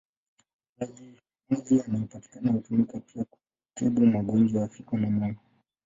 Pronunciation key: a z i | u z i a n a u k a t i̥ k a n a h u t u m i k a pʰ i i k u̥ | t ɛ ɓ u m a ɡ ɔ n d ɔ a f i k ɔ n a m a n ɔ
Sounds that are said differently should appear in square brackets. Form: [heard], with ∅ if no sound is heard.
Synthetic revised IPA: a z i | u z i a n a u [p] a t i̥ k a n a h u t u m i k a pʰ i [a] k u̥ | t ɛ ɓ u m a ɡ ɔ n [d͡ʒ] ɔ a f i k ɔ n a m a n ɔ